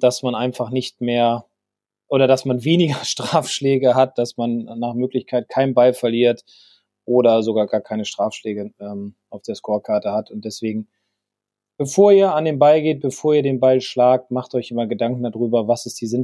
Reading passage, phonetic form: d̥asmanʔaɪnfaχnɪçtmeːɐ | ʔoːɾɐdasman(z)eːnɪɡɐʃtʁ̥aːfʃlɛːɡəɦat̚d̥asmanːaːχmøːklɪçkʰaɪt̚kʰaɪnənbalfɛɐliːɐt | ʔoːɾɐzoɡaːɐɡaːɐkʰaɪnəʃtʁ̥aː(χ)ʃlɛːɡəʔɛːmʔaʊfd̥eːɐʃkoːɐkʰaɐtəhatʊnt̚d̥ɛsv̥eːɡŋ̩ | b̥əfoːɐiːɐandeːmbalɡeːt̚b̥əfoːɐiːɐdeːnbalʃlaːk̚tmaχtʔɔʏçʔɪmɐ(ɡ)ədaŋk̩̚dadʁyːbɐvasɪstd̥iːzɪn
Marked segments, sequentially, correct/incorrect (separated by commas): incorrect, incorrect, correct